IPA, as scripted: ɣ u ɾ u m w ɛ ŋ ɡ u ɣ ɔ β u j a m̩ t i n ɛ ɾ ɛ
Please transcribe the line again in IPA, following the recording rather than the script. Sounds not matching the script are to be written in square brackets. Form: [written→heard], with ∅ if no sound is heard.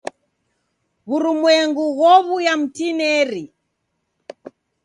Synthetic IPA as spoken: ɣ u ɾ u m w ɛ ŋ ɡ u ɣ ɔ β u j a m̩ t i n ɛ ɾ [ɛ→i]